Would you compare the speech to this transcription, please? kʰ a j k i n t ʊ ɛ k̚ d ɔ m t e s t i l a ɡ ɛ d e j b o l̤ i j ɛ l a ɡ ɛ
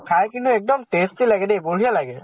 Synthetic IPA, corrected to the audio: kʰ a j k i n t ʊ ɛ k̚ d ɔ m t e s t i l a ɡ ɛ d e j b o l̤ i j a l a ɡ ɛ

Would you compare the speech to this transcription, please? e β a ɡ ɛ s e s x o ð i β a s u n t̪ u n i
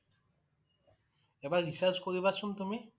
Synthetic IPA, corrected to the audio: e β a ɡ i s a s k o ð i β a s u n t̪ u m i

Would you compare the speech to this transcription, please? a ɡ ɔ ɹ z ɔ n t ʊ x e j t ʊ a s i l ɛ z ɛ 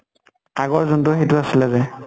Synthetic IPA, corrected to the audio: a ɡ ɔ ɹ z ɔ n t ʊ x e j t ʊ a s i l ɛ z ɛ

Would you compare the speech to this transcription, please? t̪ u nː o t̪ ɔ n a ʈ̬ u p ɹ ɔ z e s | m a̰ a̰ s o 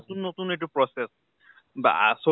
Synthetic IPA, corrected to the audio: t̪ u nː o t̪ u n e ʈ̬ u p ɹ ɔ s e s | b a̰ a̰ s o

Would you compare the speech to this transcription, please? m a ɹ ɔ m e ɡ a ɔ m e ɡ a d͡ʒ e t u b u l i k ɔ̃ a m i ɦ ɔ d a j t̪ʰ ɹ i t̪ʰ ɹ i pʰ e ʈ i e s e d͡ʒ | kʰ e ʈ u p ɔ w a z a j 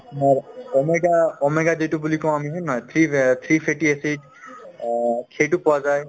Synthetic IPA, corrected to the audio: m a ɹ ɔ m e ɡ a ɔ m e ɡ a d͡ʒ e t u b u l i k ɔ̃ a m i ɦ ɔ n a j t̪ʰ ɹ i t̪ʰ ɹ i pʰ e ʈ i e s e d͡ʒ | kʰ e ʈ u p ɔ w a z a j

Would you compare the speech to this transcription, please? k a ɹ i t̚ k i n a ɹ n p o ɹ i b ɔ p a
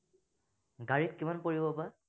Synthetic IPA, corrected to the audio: ɡ a ɹ i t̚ k i m a n p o ɹ i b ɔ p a

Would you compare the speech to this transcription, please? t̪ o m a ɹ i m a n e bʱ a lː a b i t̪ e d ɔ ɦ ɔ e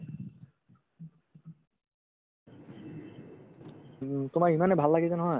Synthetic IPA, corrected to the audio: t̪ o m a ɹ i m a n e bʱ a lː a ɡ i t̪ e n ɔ ɦ ɔ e

